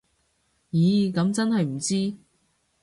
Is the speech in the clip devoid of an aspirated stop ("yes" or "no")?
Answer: yes